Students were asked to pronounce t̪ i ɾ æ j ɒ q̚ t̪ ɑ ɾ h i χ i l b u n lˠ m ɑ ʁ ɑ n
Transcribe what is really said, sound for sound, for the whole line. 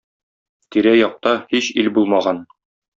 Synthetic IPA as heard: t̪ i ɾ æ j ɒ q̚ t̪ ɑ h i ɕ i l b u lˠ m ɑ ʁ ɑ n